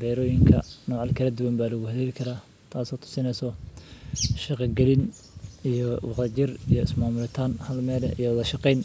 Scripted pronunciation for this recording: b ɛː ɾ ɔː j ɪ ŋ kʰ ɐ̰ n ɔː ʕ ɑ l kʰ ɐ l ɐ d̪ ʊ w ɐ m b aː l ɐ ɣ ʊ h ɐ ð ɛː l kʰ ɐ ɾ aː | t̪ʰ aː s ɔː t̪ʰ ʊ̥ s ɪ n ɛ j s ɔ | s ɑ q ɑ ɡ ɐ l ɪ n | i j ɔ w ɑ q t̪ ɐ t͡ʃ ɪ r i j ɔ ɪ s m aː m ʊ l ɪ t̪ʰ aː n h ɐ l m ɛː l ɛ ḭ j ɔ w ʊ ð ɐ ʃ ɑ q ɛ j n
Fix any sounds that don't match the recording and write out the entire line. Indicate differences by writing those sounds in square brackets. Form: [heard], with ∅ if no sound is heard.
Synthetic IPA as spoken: b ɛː ɾ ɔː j ɪ ŋ kʰ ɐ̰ n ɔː ʕ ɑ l kʰ ɐ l ɐ d̪ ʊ w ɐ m b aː l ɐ ɣ ʊ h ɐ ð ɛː l kʰ ɐ ɾ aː | t̪ʰ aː s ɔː t̪ʰ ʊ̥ s ɪ n ɛ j s ɔ | [ʃ] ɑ q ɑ ɡ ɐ l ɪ n | i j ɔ w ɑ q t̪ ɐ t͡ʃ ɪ r i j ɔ ɪ s m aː m ʊ l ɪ t̪ʰ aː n h ɐ l m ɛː l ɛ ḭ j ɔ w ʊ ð ɐ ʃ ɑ q ɛ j n